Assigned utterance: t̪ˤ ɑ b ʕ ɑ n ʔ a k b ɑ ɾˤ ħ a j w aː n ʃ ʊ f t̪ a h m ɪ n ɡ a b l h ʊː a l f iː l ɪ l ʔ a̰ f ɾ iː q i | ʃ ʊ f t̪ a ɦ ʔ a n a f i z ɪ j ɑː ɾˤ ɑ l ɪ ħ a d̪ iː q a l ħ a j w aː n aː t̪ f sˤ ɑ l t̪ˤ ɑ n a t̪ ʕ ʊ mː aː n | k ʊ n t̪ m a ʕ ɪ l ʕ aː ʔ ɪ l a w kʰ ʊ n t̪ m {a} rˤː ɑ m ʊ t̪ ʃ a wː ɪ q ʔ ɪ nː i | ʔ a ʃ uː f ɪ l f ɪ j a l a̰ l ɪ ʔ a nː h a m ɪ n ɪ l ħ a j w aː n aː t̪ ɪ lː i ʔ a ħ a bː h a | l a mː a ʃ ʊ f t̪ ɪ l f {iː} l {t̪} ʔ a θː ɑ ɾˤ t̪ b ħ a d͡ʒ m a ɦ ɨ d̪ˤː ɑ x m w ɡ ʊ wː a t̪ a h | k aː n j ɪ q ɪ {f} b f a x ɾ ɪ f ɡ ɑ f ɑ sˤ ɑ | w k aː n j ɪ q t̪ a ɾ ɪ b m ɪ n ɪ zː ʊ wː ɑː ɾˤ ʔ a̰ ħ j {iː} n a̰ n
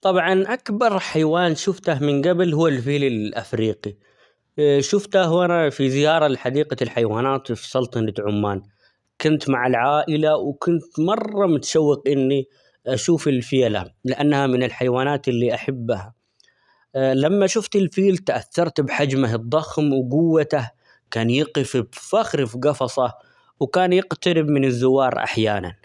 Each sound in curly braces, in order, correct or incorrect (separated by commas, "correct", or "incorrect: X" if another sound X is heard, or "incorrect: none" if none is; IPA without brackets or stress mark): incorrect: ɑ, correct, correct, correct, incorrect: aː